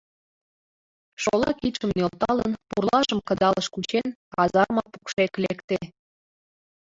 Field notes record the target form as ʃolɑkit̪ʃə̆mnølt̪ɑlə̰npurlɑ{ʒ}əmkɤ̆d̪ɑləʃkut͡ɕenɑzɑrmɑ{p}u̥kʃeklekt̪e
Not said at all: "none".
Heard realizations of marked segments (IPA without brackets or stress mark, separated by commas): ʒ, p